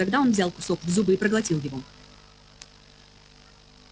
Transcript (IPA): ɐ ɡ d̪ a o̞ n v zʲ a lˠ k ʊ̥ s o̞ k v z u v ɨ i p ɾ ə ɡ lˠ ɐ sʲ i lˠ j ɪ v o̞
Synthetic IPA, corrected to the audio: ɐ ɡ d̪ a o̞ n v zʲ a lˠ k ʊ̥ s o̞ k v z u b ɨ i p ɾ ə ɡ lˠ ɐ tʲ i lˠ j ɪ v o̞